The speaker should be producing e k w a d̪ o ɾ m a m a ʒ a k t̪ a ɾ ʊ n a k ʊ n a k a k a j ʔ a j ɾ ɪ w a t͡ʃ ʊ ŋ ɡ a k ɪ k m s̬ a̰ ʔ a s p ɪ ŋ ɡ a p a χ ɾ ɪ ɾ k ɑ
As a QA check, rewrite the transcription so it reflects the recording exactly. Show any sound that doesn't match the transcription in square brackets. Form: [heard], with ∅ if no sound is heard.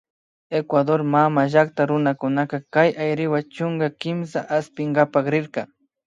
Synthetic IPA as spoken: e k w a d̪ o ɾ m a m a ʒ a k t̪ a ɾ ʊ n a k ʊ n a k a k a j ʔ a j ɾ ɪ w a t͡ʃ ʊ ŋ ɡ a k ɪ [∅] m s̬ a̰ ʔ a s p ɪ ŋ ɡ a p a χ ɾ ɪ ɾ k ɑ